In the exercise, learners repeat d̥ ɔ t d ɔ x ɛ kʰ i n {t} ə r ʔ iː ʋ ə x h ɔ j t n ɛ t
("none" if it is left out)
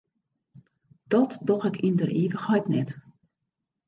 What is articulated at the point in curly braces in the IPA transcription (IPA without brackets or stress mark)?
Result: d